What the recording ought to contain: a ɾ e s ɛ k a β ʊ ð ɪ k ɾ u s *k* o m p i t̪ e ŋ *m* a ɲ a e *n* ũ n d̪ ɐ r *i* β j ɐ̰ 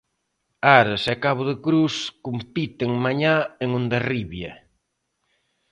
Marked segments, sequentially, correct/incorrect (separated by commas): correct, correct, incorrect, correct